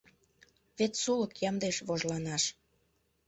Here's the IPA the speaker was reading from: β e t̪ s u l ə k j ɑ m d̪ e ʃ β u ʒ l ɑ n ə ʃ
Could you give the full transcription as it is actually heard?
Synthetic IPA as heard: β e t̪ s u l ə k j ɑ m d̪ e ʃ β o ʒ l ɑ n ɑ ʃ